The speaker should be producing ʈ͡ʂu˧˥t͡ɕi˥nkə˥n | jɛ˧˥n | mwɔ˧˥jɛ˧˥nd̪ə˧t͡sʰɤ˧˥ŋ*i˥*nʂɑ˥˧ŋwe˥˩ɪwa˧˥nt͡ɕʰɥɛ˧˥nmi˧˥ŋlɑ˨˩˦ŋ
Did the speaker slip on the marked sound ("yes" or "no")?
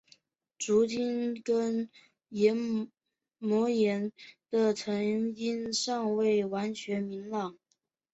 no